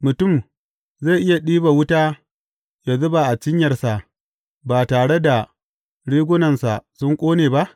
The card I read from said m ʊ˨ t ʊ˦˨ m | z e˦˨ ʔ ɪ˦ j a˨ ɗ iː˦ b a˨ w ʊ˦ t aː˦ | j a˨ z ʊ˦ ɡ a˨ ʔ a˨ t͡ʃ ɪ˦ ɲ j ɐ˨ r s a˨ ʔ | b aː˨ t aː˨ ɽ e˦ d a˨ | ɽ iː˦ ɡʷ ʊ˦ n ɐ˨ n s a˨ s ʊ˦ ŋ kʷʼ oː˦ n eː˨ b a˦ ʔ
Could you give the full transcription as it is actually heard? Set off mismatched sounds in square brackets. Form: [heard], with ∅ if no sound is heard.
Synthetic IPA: m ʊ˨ t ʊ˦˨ m | z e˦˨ ʔ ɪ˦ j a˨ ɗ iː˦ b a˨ w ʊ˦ t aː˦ | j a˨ z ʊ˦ [b] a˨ ʔ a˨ t͡ʃ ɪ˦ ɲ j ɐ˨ r s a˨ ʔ | b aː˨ t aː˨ ɽ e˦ d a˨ | ɽ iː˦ ɡʷ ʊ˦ n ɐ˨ n s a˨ s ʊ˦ ŋ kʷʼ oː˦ n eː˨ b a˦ ʔ